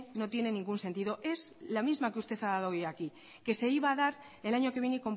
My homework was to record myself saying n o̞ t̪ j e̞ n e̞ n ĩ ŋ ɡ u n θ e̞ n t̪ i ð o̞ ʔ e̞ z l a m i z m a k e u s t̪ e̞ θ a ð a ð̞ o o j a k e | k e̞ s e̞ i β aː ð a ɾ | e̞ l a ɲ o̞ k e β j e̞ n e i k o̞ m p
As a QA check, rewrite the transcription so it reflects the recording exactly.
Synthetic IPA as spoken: n o̞ t̪ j e̞ n e̞ n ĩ ŋ ɡ u n s e̞ n t̪ i ð o̞ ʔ e̞ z l a m i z m a k e u s t̪ e̞ θ a ð a ð̞ o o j a k i | k e̞ s e̞ i β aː ð a ɾ | e̞ l a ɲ o̞ k e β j e̞ n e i k o̞ m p